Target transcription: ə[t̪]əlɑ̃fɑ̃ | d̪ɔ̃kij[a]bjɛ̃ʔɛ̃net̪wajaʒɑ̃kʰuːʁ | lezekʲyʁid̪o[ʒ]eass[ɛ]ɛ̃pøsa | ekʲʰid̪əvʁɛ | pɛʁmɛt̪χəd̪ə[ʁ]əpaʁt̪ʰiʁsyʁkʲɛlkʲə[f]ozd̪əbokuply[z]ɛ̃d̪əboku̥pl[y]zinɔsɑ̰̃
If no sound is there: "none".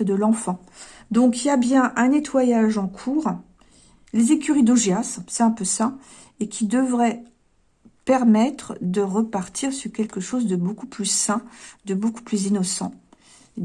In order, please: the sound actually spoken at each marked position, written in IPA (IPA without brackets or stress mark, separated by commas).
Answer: d̪, a, ʒ, ɛ, ʁ, ʃ, s, y